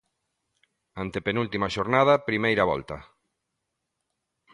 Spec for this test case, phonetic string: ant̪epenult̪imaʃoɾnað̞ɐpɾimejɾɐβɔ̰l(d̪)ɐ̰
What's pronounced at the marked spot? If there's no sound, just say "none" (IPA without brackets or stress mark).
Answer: t̪